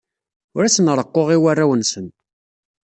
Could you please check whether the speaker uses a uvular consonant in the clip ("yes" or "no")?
yes